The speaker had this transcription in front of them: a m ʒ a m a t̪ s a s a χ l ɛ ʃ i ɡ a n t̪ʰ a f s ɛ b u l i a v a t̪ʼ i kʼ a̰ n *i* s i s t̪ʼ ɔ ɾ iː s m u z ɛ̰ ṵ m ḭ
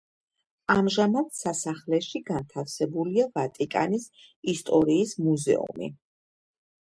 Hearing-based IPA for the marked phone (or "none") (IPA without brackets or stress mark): i